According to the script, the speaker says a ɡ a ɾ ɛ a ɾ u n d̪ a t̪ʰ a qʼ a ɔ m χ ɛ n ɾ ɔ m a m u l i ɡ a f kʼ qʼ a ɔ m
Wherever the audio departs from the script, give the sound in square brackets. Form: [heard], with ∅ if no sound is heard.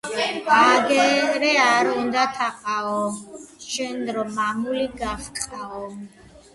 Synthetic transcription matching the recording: a ɡ [ɛ] ɾ ɛ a ɾ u n d̪ a t̪ʰ a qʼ a ɔ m [ʃ] ɛ n ɾ ɔ m a m u l i ɡ a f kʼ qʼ a ɔ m